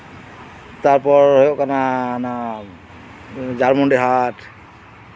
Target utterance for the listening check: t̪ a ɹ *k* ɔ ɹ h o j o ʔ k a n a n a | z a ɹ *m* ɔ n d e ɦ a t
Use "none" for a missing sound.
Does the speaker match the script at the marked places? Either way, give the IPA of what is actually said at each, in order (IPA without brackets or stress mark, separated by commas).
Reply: p, m